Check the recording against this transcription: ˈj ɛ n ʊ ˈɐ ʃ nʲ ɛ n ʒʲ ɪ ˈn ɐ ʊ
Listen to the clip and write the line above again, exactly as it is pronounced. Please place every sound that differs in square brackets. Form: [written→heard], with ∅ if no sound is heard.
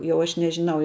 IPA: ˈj ɛ [n→∅] ʊ ˈɐ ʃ nʲ ɛ [n→∅] ʒʲ ɪ ˈn ɐ ʊ